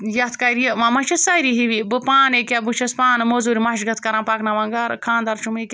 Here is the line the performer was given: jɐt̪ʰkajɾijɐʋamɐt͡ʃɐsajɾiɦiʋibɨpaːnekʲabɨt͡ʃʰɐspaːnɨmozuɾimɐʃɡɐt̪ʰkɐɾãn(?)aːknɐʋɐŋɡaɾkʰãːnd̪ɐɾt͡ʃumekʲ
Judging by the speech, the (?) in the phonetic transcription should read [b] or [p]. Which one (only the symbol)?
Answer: p